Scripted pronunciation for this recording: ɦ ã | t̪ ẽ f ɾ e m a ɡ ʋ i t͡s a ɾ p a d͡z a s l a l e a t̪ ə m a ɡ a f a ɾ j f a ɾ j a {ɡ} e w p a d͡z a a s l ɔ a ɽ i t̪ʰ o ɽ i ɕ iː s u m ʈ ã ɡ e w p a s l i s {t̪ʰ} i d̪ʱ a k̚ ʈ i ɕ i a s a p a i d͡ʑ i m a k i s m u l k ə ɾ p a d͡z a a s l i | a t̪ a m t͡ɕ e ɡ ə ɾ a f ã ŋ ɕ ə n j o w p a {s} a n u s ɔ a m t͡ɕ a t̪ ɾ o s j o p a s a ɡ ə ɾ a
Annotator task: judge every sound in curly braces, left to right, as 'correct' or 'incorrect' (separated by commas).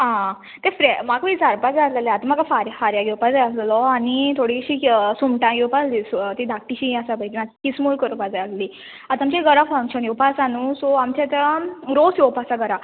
correct, incorrect, correct